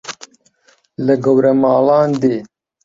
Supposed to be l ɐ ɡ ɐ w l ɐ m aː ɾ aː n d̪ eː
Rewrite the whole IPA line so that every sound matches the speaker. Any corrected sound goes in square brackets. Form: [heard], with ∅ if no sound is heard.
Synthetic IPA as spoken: l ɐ ɡ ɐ w [ɾ] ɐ m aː [l] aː n d̪ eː